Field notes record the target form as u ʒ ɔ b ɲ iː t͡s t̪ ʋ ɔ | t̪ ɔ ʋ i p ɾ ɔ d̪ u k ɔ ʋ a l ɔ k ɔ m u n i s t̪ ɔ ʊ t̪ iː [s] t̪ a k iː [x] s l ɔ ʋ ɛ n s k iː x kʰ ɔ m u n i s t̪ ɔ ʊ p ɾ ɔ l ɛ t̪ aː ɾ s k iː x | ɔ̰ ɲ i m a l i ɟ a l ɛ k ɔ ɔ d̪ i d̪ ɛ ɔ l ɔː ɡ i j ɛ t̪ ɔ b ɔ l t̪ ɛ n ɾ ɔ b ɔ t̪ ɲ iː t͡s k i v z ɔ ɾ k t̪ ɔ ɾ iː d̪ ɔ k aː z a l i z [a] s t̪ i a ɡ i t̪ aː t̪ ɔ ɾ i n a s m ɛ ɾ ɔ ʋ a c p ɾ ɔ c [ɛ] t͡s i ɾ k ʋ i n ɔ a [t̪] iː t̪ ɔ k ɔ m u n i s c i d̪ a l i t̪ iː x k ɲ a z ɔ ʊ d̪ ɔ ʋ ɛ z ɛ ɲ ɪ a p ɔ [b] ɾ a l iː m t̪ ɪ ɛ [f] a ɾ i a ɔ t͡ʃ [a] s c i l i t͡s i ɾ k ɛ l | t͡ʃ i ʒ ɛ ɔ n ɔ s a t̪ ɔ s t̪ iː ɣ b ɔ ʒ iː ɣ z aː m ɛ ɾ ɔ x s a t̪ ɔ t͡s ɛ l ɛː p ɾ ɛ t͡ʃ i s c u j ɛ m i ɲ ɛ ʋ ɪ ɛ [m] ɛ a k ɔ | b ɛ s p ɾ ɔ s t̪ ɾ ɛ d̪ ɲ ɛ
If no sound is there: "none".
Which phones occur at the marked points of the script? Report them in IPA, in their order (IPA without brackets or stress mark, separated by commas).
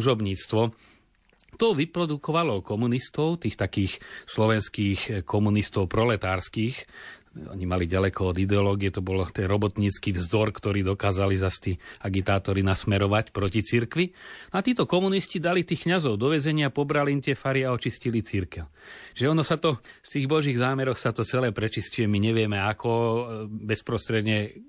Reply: x, x, a, i, t̪, b, f, i, m